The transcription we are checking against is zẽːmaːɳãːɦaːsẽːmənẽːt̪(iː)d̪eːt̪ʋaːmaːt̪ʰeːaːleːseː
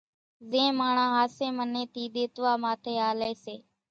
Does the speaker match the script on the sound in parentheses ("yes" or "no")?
yes